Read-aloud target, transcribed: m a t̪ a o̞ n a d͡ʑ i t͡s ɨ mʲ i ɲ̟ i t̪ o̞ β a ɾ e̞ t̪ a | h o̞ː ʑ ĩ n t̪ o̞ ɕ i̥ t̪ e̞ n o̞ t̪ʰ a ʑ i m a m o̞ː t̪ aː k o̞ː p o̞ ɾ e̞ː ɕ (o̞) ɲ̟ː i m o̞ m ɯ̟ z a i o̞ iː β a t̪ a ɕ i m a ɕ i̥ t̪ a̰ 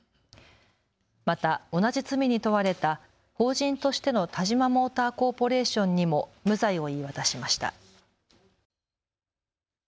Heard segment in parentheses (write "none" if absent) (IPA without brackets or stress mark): õ̞